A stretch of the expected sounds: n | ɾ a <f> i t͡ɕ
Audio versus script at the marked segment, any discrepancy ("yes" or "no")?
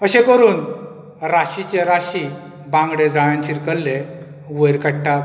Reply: yes